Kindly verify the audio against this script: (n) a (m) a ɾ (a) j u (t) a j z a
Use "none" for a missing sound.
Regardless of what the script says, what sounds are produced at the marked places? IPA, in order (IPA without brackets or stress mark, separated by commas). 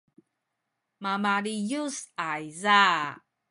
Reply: m, m, i, s